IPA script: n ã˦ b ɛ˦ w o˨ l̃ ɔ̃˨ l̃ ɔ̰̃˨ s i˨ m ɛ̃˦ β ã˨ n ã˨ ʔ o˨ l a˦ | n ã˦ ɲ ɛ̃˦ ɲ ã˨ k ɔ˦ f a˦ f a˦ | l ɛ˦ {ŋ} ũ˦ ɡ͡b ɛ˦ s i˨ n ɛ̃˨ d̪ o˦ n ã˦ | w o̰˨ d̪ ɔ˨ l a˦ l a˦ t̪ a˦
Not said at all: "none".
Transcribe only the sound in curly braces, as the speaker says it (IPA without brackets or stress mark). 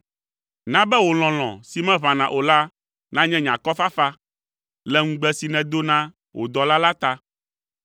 ŋ